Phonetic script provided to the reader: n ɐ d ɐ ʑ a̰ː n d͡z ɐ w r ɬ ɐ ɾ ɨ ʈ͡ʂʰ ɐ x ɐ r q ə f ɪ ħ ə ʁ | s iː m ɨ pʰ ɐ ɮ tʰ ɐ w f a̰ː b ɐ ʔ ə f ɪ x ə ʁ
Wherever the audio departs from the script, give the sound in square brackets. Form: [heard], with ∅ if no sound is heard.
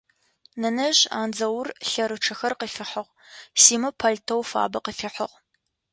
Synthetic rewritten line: n ɐ [n] ɐ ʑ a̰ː n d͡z ɐ w r ɬ ɐ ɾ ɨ ʈ͡ʂʰ ɐ x ɐ r q ə f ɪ ħ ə ʁ | s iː m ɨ pʰ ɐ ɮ tʰ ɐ w f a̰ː b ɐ [q] ə f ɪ [ħ] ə ʁ